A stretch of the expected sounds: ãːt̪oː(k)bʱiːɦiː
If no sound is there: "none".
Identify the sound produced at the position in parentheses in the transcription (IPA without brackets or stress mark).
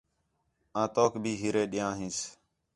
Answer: k